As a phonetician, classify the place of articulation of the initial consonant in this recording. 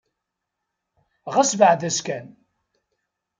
uvular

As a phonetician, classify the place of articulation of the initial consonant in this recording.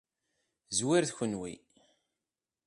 alveolar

